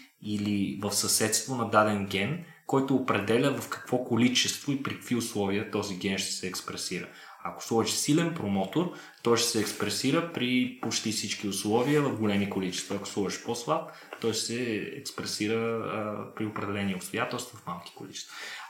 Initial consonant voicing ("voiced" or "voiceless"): voiced